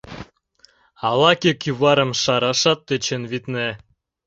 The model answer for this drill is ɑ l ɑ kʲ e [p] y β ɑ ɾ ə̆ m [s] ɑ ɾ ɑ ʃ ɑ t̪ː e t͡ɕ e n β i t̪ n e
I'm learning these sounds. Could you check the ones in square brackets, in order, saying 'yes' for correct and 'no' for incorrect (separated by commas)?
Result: no, no